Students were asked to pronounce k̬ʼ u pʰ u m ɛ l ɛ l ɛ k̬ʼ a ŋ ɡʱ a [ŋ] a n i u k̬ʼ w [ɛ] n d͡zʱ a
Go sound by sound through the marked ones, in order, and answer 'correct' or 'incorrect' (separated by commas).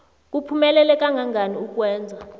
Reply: correct, incorrect